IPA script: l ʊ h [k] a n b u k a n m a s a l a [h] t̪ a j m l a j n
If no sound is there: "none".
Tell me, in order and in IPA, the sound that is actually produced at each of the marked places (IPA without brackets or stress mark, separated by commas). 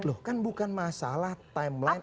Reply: k, h